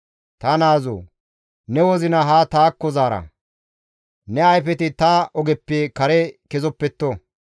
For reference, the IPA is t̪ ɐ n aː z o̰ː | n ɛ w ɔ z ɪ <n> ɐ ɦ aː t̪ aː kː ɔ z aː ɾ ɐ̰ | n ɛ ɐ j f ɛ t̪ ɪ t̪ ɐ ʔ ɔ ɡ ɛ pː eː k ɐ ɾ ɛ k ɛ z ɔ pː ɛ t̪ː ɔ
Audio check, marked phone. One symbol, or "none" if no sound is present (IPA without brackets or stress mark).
n